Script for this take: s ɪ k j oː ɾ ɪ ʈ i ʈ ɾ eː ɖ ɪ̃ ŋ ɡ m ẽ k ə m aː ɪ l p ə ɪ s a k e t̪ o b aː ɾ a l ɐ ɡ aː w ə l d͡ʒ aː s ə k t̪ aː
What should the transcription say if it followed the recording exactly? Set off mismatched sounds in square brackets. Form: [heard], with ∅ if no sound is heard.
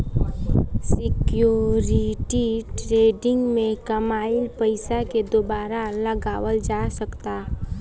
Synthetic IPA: s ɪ k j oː ɾ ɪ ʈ i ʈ ɾ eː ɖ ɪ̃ ŋ ɡ m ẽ k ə m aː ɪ l p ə ɪ s a k e [d̪] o b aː ɾ a l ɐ ɡ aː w ə l d͡ʒ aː s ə k t̪ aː